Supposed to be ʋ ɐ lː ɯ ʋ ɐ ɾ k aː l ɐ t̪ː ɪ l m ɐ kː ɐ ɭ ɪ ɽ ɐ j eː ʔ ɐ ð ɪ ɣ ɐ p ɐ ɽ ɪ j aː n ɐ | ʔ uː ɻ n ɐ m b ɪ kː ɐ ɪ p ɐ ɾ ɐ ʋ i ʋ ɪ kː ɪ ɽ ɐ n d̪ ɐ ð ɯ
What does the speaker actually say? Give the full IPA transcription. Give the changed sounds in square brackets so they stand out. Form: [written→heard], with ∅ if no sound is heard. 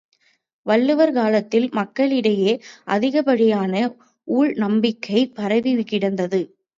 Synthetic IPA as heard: ʋ ɐ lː ɯ ʋ ɐ ɾ k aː l ɐ t̪ː ɪ l m ɐ kː ɐ ɭ ɪ ɽ ɐ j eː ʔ ɐ ð ɪ ɣ ɐ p ɐ ɽ ɪ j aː n ɐ | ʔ uː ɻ n ɐ m b ɪ kː ɐ ɪ p ɐ ɾ ɐ ʋ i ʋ ɪ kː ɪ ɽ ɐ n d̪ ɐ ð ɯ

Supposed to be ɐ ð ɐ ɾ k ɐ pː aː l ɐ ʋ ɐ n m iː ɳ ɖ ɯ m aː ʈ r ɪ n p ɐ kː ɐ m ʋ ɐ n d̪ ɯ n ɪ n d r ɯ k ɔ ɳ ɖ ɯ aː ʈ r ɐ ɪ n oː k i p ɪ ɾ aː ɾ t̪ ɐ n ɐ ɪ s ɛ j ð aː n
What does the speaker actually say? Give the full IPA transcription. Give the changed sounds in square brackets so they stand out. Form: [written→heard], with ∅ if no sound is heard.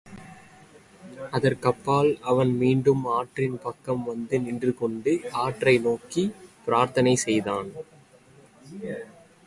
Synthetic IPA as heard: ɐ ð ɐ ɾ k ɐ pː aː l ɐ ʋ ɐ n m iː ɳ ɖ ɯ m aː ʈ r ɪ n p ɐ kː ɐ m ʋ ɐ n d̪ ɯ n ɪ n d r ɯ k ɔ ɳ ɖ ɯ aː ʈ r ɐ ɪ n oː k i p ɪ ɾ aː ɾ t̪ ɐ n ɐ ɪ s ɛ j ð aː n

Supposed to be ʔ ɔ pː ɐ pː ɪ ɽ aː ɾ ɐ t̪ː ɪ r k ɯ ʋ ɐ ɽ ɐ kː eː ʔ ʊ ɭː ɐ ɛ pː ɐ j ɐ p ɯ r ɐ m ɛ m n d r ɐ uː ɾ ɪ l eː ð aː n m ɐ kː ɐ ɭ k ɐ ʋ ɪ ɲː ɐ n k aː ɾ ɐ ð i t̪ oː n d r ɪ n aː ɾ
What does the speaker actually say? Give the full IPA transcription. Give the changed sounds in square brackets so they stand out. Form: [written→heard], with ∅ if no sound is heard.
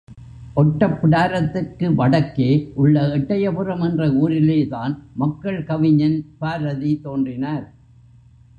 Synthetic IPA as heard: ʔ ɔ [pː→ʈː] ɐ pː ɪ ɽ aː ɾ ɐ t̪ː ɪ r k ɯ ʋ ɐ ɽ ɐ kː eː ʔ ʊ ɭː ɐ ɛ [pː→ʈː] ɐ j ɐ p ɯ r ɐ m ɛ [m→∅] n d r ɐ uː ɾ ɪ l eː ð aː n m ɐ kː ɐ ɭ k ɐ ʋ ɪ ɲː ɐ n [k→p] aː ɾ ɐ ð i t̪ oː n d r ɪ n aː ɾ

